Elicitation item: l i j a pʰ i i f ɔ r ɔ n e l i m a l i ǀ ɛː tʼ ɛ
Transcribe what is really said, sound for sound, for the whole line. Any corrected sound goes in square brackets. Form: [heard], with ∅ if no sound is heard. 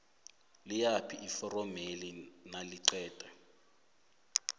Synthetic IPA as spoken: l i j a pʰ i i f ɔ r ɔ [m] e l i [n] a l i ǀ ɛː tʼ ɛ